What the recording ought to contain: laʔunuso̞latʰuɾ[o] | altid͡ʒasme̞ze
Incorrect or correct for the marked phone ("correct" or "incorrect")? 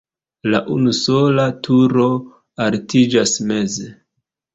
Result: correct